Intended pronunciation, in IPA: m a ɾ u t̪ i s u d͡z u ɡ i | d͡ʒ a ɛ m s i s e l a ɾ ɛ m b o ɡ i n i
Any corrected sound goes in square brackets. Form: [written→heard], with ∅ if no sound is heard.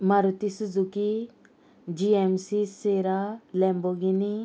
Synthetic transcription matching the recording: m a ɾ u t̪ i s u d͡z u [ɡ→k] i | d͡ʒ [a→i] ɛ m s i s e [l→ɾ] a [ɾ→l] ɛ m b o ɡ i n i